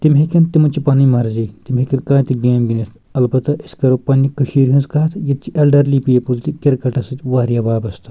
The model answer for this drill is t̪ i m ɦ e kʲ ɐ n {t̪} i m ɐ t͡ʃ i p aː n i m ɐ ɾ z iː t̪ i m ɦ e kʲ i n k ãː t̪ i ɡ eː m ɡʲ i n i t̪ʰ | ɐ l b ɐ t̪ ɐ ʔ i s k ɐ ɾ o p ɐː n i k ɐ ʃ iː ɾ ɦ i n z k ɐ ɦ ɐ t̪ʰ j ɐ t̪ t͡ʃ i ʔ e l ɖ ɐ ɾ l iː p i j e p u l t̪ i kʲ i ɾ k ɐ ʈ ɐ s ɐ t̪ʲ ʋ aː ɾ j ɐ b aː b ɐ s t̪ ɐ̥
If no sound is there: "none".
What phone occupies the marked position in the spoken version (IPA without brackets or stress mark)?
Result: t̪